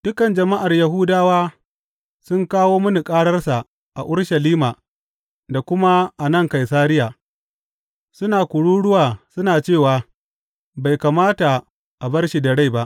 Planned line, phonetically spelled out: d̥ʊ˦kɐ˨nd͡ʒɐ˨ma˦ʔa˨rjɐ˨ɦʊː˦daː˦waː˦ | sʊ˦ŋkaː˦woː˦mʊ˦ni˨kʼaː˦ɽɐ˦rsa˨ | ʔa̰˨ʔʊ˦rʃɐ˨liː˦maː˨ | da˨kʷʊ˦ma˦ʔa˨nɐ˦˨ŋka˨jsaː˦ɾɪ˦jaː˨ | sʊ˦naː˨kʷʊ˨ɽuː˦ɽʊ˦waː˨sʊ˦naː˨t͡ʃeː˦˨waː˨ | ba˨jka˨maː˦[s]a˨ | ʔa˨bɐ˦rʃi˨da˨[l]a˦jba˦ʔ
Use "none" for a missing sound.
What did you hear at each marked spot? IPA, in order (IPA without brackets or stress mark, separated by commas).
t, ɽ